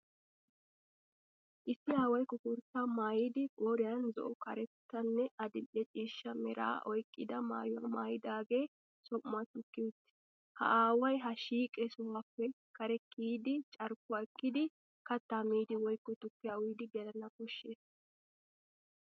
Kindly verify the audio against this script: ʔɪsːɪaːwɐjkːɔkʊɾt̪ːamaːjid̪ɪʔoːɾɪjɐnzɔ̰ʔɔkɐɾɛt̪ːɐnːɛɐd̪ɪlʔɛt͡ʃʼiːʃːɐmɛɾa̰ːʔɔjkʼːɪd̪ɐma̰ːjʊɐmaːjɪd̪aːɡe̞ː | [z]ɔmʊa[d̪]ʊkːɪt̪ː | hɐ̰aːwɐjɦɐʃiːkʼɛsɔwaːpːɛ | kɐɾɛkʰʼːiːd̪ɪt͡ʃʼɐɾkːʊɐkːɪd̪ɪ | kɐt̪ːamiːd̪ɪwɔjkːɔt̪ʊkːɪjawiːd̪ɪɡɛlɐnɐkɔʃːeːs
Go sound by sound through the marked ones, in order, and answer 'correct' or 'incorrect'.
incorrect: s, incorrect: t̪

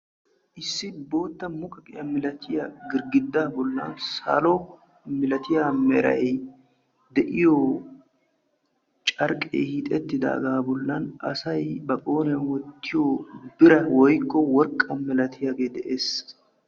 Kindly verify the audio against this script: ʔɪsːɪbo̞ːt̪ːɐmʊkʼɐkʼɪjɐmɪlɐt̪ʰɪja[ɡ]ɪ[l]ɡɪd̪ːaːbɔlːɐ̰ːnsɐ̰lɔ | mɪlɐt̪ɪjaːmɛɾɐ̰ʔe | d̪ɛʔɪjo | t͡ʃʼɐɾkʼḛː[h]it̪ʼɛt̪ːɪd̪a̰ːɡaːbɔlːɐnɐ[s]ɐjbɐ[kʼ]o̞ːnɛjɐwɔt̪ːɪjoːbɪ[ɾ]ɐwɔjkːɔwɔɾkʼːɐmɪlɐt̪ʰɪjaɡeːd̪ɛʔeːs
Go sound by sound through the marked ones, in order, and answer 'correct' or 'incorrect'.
correct, incorrect: ɾ, correct, correct, correct, correct

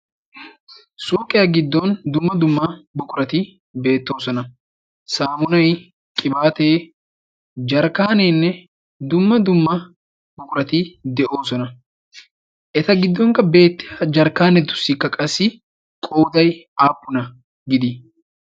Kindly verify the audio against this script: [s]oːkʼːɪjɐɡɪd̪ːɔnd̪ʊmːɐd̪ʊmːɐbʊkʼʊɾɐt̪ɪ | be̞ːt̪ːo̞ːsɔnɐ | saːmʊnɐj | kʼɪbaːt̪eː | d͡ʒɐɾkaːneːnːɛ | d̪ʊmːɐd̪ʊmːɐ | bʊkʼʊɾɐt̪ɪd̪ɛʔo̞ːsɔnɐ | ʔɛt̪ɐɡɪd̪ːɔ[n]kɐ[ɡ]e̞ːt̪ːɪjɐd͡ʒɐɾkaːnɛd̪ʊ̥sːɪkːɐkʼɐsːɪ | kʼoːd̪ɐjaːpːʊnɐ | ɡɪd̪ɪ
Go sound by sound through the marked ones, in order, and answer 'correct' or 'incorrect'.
correct, incorrect: ŋ, incorrect: b

